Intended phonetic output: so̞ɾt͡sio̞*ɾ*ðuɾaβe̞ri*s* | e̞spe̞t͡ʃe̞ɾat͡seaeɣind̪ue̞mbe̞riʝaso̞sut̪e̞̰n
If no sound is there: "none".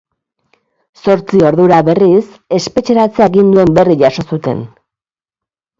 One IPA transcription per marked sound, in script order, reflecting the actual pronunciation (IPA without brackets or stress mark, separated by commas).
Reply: ɾ, s